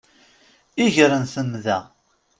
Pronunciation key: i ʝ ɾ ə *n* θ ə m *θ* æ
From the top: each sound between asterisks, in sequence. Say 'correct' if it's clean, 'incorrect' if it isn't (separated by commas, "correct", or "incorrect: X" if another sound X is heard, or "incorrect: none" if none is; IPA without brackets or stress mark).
correct, incorrect: ð